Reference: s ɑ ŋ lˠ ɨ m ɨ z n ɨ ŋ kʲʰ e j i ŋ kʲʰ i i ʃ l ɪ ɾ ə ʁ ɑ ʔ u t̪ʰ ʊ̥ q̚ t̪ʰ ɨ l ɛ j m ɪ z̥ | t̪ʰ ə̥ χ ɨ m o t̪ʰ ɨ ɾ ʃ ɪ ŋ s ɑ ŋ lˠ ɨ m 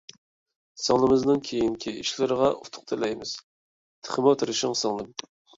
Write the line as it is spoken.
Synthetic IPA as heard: s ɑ ŋ lˠ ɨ m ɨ z n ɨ ŋ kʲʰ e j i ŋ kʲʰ i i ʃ l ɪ ɾ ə ʁ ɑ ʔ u t̪ʰ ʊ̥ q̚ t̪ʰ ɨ l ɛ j m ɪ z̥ | t̪ʰ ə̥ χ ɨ m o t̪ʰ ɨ ɾ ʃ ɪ ŋ s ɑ ŋ lˠ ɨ m